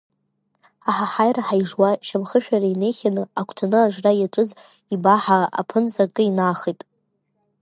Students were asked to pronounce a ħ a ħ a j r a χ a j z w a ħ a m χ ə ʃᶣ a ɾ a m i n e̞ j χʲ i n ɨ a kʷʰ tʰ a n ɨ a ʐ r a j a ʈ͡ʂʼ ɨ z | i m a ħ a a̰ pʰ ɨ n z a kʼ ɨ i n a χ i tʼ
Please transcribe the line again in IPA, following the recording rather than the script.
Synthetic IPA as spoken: a ħ a ħ a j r a ħ a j ʐ w a ʃ a m χ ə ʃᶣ a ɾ a i n e̞ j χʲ a n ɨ a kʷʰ tʰ a n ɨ a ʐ r a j a ʈ͡ʂʼ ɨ z | i b a ħ a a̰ pʰ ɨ n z a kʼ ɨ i n a χ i tʼ

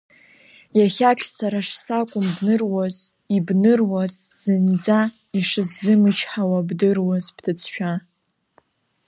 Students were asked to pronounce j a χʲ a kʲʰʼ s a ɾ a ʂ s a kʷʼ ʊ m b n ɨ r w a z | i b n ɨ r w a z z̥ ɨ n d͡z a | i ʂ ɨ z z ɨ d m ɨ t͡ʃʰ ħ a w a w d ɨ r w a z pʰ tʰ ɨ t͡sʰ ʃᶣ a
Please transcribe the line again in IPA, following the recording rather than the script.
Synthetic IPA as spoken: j a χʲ a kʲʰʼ s a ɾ a ʂ s a kʷʼ ʊ m b n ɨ r w a z | i b n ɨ r w a z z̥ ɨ n d͡z a | i ʂ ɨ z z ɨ m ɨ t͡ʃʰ ħ a w a b d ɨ r w a z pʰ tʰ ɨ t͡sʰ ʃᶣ a

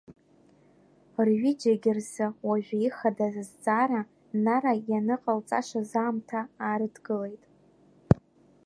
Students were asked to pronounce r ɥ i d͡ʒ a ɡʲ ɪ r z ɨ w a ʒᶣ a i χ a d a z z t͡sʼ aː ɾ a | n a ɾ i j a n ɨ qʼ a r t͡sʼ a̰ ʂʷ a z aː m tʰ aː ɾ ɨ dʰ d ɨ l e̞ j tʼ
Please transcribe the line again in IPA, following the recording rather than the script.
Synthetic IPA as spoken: r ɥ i d͡ʒ a ɡʲ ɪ r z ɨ w a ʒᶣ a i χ a d a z z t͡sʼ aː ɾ a | n a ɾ a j a n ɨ qʼ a l t͡sʼ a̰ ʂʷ a z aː m tʰ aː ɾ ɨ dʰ ɡ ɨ l e̞ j tʼ

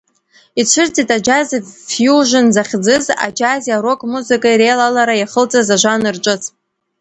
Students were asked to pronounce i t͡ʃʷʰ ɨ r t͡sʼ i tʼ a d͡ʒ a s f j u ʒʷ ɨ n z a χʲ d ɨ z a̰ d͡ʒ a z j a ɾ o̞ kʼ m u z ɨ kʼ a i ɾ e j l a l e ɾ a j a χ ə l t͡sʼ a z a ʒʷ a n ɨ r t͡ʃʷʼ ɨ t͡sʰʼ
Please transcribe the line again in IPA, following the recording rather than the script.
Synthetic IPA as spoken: i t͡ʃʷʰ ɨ r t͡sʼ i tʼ a d͡ʒ a z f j u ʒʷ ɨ n z a χʲ d͡z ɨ z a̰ d͡ʒ a z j a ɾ o̞ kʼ m u z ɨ kʼ a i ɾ e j l a l a ɾ a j a χ ə l t͡sʼ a z a ʒʷ a n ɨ r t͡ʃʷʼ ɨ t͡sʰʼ

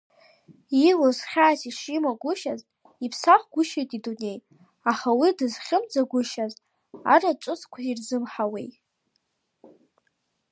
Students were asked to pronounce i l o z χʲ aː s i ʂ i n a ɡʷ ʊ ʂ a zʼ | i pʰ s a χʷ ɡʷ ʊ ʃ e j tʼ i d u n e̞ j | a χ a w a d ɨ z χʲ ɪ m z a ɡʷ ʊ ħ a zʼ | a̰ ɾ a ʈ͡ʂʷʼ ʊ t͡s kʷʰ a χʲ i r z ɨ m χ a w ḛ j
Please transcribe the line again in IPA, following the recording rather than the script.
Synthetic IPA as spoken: i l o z χʲ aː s i ʂ i m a ɡʷ ʊ ʃ a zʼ | i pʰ s a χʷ ɡʷ ʊ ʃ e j tʼ i d u n e̞ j | a χ a w i d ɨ z χʲ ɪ m d͡z a ɡʷ ʊ ʃ a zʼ | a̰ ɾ a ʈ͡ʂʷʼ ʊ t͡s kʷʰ a i r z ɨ m ħ a w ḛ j

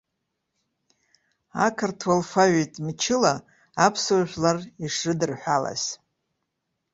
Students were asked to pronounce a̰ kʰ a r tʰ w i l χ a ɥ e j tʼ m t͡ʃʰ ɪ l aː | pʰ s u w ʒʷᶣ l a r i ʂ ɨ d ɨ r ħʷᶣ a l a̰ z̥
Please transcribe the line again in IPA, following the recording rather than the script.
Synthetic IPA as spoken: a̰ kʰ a r tʰ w a l f a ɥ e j tʼ m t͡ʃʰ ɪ l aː | pʰ s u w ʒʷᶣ l a r i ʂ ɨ d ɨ r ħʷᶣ a l a̰ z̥

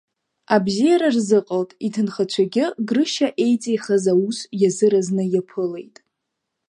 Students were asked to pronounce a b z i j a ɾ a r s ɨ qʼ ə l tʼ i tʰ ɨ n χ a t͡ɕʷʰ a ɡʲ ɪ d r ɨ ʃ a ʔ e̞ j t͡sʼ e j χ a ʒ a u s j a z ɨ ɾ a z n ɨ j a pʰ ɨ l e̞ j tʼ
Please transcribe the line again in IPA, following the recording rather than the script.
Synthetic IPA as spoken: a b z i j a ɾ a r z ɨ qʼ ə l tʼ i tʰ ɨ n χ a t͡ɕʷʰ a ɡʲ ɪ ɡ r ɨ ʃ a ʔ e̞ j t͡sʼ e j χ a z a u s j a z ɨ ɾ a z n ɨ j a pʰ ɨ l e̞ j tʼ

